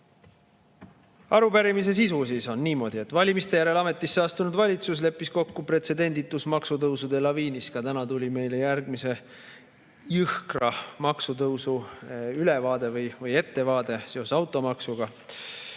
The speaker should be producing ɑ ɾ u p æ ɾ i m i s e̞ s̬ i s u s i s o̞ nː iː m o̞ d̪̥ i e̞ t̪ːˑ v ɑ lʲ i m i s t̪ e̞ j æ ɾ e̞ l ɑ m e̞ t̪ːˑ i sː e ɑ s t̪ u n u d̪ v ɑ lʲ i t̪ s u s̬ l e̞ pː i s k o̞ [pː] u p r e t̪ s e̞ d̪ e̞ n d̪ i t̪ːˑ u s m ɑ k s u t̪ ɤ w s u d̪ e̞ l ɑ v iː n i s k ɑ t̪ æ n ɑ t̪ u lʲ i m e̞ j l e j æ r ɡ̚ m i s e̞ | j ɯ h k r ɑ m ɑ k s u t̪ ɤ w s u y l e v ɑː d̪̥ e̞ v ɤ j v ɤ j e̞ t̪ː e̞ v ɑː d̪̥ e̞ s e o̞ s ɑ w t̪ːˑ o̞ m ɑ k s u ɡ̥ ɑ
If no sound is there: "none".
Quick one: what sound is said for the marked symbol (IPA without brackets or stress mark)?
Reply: kː